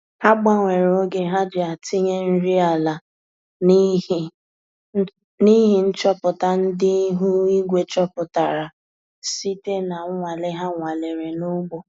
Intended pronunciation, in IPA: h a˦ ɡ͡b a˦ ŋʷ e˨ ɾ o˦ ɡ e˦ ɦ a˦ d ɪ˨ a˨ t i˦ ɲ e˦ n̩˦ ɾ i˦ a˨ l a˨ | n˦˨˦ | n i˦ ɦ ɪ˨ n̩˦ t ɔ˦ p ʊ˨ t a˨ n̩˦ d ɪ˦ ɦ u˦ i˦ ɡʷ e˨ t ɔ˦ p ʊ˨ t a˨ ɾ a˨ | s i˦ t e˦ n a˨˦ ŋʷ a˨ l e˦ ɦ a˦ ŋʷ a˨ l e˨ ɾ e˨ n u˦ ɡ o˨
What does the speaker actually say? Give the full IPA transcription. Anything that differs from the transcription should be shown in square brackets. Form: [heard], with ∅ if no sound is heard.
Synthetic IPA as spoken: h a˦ ɡ͡b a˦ ŋʷ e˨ ɾ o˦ ɡ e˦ ɦ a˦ [d͡ʒ] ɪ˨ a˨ t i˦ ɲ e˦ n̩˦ ɾ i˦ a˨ l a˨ | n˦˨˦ | n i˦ ɦ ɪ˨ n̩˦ [t͡ʃ] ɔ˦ p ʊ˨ t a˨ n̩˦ d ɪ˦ ɦ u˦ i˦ ɡʷ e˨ [t͡ʃ] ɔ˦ p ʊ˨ t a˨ ɾ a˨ | s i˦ t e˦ n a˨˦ ŋʷ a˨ l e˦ ɦ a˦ ŋʷ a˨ l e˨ ɾ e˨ n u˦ [ɡ͡b] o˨